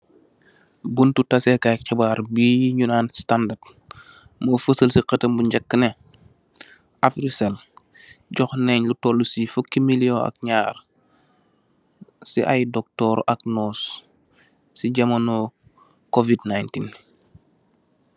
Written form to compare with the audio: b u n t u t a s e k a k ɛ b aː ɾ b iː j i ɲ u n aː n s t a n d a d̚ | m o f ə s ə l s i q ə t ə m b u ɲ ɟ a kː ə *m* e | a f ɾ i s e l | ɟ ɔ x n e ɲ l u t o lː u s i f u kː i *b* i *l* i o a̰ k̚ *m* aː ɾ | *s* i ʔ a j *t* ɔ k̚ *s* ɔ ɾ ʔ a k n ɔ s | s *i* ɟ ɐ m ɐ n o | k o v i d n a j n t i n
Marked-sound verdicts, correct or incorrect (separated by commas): incorrect, incorrect, correct, incorrect, correct, incorrect, incorrect, correct